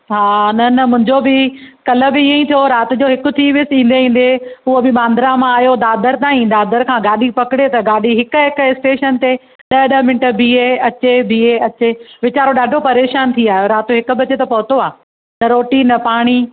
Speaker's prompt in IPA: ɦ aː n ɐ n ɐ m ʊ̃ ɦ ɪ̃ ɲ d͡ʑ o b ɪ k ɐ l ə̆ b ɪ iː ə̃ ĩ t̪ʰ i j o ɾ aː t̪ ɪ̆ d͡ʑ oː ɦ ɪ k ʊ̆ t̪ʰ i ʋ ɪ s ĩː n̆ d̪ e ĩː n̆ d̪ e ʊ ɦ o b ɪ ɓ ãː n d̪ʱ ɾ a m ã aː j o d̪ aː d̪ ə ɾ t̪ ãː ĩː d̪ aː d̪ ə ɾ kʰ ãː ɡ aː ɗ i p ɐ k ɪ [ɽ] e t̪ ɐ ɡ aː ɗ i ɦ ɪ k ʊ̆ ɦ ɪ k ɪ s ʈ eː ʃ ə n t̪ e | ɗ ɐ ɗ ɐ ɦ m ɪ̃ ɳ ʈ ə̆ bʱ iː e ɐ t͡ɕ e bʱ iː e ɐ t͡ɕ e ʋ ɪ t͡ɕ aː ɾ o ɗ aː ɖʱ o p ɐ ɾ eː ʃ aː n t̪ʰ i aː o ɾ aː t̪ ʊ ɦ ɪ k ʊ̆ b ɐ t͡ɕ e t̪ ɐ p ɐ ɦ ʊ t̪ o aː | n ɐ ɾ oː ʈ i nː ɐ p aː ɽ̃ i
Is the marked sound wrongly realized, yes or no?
no